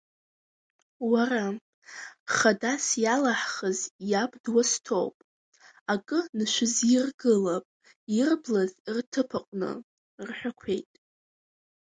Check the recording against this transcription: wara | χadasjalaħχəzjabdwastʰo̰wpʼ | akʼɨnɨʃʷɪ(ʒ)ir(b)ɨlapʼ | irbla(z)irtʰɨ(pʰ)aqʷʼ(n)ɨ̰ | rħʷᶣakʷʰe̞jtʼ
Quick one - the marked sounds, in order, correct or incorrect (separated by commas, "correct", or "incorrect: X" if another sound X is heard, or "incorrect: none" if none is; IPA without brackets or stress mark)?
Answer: incorrect: z, incorrect: ɡ, correct, correct, correct